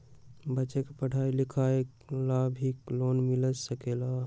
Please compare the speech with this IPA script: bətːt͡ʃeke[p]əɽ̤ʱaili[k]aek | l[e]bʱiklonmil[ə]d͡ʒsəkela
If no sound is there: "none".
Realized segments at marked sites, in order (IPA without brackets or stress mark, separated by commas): p, kʰ, a, ə